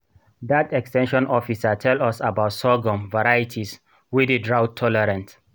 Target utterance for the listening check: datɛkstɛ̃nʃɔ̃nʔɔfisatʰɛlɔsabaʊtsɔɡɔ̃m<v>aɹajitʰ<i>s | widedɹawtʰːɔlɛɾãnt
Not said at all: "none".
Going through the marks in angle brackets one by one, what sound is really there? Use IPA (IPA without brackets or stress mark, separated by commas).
v, i